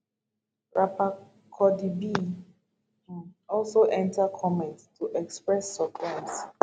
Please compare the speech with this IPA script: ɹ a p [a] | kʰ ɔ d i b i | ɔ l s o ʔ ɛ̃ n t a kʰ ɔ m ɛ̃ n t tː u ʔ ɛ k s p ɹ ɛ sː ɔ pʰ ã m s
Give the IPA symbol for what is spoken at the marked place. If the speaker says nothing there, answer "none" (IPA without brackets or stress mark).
a